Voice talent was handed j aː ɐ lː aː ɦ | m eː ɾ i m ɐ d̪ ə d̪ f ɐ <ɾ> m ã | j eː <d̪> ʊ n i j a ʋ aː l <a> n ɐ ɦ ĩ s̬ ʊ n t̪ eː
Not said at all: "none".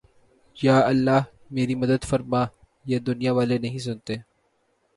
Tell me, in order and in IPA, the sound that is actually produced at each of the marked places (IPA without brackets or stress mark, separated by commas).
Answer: ɾ, d̪, e